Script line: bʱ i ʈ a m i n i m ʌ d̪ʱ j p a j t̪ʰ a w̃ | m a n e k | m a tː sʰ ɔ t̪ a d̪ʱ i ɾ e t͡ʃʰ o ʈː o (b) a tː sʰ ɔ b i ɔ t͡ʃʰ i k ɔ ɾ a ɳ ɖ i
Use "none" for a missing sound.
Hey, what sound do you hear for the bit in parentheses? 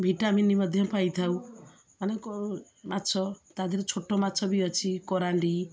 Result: m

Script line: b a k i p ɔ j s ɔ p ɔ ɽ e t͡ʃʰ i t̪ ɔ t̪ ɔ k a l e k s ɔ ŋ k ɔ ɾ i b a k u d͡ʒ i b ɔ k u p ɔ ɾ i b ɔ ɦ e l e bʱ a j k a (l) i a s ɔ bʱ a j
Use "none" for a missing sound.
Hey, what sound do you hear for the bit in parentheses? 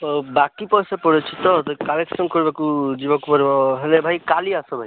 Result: l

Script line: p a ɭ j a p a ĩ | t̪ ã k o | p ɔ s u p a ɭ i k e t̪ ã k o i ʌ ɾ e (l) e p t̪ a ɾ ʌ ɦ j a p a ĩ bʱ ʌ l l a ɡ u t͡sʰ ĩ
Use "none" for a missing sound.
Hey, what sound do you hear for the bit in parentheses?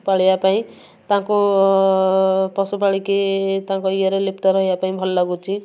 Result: l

